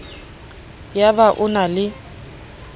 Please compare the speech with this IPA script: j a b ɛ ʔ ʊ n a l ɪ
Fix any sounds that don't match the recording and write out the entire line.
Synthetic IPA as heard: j a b a ʔ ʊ n a l ɪ